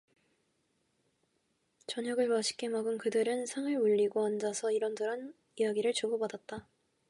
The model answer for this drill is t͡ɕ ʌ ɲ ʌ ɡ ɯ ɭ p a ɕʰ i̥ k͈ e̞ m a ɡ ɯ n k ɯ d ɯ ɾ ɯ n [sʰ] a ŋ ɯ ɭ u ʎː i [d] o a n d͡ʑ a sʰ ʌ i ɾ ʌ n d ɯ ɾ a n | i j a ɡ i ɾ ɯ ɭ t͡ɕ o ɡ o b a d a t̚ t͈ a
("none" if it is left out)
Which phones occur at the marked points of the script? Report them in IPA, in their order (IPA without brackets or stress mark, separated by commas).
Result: sʰ, ɡ